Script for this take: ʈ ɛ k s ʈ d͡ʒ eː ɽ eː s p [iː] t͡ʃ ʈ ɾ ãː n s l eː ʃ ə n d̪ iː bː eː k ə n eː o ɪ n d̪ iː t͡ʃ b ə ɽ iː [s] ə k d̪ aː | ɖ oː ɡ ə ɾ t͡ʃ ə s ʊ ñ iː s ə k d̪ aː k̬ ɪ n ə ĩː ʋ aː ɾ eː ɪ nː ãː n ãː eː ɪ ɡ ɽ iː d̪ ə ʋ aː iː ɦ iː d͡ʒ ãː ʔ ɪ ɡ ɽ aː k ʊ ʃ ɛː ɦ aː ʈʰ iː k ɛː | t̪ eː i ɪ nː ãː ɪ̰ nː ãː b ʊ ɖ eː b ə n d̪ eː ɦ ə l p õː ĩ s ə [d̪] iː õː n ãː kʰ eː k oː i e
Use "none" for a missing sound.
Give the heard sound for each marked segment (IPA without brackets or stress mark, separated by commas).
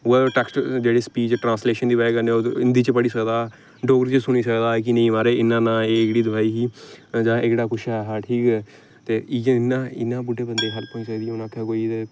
iː, s, d̪